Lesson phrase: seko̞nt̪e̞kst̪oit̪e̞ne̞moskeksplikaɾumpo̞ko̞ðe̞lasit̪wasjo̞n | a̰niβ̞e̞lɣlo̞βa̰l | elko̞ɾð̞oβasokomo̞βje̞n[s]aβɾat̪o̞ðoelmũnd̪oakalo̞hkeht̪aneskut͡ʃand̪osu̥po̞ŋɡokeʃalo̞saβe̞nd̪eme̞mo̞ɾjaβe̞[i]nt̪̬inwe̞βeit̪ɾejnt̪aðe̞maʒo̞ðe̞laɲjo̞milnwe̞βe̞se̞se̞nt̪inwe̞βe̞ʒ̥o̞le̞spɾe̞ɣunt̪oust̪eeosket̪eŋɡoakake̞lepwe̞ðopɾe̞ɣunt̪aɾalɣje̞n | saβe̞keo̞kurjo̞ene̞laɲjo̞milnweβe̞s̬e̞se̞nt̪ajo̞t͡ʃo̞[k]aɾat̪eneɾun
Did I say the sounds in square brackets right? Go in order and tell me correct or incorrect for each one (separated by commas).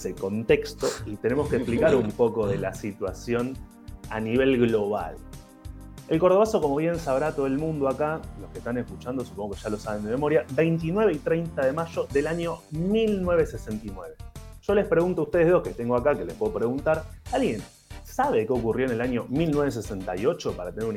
correct, incorrect, incorrect